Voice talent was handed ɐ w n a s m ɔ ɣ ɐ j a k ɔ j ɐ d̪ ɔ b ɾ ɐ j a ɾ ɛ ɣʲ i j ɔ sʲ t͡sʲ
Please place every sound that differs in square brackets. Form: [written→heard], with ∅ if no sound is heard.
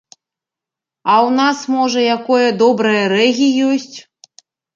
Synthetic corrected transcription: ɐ w n a s m ɔ [ɣ→ʐ] ɐ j a k ɔ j ɐ d̪ ɔ b ɾ ɐ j [a→ɐ] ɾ ɛ ɣʲ i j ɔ sʲ t͡sʲ